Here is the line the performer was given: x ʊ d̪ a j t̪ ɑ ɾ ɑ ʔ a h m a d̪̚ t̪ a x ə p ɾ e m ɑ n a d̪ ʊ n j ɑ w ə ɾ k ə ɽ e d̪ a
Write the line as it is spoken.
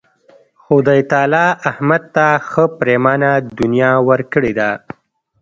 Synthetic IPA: x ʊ d̪ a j t̪ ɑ l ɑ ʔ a h m a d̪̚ t̪ a x ə p ɾ e m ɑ n a d̪ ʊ n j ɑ w ə ɾ k ə ɽ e d̪ a